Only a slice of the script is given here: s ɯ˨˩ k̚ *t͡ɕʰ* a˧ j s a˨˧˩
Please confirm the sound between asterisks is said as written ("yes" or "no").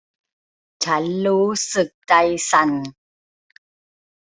no